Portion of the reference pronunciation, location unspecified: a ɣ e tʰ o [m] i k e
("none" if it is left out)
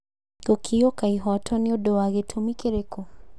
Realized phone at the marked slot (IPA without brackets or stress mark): m